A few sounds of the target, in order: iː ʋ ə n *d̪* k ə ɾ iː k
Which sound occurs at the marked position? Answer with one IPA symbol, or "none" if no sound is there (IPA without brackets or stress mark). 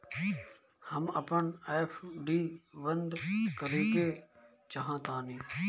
d̪